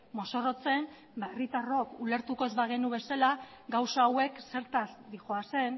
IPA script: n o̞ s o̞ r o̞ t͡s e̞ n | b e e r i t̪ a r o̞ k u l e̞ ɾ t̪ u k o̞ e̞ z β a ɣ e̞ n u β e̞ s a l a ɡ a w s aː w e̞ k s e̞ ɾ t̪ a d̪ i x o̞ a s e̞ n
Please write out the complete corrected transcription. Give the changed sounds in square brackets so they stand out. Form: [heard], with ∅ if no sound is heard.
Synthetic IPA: [m] o̞ s o̞ r o̞ t͡s e̞ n | b [a] e r i t̪ a r o̞ k u l e̞ ɾ t̪ u k o̞ e̞ z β a ɣ e̞ n u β e̞ s a l a ɡ a w s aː w e̞ k s e̞ ɾ t̪ a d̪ i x o̞ a s e̞ n